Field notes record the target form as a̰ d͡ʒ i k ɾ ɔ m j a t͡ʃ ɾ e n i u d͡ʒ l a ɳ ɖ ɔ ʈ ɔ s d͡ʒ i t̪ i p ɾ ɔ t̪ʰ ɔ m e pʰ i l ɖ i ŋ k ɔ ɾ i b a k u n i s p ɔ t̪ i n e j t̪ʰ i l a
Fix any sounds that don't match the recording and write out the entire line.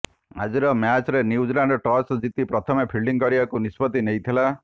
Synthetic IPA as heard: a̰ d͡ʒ i ɾ ɔ m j a t͡ʃ ɾ e n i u d͡ʒ l a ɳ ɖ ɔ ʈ ɔ s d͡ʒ i t̪ i p ɾ ɔ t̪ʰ ɔ m e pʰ i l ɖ i ŋ k ɔ ɾ i b a k u n i s p ɔ t̪ i n e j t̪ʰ i l a